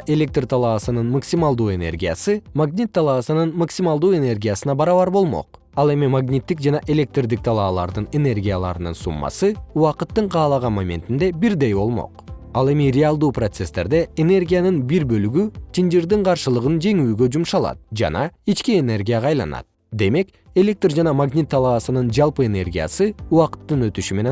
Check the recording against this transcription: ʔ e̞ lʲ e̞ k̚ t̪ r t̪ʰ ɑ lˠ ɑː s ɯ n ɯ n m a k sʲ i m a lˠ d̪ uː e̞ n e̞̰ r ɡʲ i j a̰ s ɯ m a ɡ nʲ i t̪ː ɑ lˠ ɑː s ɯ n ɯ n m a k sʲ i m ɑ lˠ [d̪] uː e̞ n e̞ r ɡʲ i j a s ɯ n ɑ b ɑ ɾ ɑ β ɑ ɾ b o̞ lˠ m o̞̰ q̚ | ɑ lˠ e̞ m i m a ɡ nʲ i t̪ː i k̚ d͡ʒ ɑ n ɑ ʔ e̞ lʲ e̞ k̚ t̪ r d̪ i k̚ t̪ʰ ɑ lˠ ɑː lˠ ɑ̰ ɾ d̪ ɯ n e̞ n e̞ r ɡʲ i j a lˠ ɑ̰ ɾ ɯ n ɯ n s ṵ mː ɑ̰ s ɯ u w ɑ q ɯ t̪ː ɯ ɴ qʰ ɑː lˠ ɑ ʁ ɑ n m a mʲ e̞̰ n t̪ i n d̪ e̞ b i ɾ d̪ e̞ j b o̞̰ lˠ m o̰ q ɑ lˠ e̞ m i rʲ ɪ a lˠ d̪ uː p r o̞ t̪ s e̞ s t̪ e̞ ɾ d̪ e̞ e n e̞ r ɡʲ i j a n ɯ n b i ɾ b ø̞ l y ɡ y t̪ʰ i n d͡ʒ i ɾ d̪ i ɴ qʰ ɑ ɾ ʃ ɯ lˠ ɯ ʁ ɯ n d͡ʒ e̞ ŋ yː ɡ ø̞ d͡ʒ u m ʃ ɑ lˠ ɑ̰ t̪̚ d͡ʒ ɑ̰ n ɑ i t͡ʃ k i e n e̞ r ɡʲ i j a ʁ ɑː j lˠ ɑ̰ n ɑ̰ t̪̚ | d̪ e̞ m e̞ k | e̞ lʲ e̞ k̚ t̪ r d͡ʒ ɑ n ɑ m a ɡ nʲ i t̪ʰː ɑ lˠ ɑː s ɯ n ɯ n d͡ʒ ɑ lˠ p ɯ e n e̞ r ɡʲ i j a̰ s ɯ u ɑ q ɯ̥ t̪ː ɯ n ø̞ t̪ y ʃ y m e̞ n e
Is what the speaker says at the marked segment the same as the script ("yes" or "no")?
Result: yes